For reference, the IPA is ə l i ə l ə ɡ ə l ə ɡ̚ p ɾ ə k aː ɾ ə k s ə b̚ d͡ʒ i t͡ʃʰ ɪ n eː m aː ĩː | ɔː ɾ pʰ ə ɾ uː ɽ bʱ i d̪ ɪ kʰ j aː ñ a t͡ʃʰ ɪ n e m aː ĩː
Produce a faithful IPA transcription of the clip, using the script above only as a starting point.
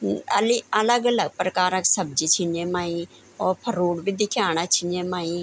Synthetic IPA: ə l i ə l ə ɡ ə l ə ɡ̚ p ɾ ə k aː ɾ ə k s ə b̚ d͡ʒ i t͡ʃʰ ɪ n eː m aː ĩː | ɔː ɾ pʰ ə ɾ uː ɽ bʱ i d̪ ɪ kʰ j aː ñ a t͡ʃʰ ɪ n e m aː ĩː

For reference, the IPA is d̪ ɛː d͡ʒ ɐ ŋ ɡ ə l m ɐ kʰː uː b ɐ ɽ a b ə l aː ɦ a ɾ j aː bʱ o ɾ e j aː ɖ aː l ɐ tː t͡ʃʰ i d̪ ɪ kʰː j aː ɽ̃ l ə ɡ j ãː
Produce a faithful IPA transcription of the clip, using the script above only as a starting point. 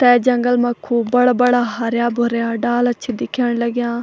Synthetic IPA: t̪ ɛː d͡ʒ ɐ ŋ ɡ ə l m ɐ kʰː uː b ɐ ɽ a b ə ɽ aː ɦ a ɾ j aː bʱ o ɾ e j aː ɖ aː l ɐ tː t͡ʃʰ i d̪ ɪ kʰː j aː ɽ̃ l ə ɡ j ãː

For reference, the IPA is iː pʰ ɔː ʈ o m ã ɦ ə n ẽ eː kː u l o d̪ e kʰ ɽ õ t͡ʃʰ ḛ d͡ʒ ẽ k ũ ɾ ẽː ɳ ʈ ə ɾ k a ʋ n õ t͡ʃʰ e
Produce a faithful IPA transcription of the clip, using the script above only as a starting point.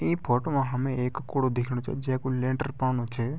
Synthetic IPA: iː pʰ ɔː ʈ o m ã ɦ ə m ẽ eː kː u ɽ o d̪ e kʰ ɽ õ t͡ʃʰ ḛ d͡ʒ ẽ k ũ l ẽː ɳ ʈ ə ɾ p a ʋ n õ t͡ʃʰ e

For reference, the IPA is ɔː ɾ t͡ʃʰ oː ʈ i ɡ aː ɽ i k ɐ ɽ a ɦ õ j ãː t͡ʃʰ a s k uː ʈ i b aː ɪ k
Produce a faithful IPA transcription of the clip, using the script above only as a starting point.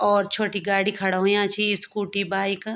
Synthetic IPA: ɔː ɾ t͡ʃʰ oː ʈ i ɡ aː ɽ i kʰ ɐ ɽ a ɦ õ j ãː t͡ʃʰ i s k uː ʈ i b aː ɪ k

